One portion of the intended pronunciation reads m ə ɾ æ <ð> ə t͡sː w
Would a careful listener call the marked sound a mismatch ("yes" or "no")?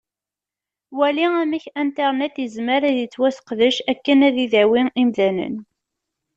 no